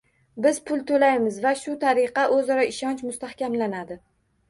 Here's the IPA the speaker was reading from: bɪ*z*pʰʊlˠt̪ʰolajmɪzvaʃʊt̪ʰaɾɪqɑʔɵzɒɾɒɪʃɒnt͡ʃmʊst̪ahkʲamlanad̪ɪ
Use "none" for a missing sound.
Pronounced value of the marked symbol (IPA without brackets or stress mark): z